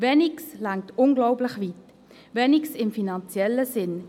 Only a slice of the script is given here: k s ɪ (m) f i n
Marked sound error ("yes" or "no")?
no